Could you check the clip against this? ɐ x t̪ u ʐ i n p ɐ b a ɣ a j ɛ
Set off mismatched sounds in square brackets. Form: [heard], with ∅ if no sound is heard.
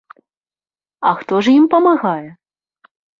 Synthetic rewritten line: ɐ x t̪ [ɔ] ʐ i [m] p ɐ [m] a ɣ a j ɛ